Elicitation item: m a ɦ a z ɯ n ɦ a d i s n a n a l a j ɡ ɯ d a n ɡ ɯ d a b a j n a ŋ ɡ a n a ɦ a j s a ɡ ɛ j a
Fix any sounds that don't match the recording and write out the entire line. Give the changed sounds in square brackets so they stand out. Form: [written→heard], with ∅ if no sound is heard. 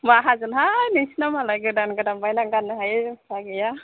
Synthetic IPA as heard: m a ɦ a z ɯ n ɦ a [d→n] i s n a [n→m] a l a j ɡ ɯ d a n ɡ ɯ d a b a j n a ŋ ɡ a n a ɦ a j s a ɡ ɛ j a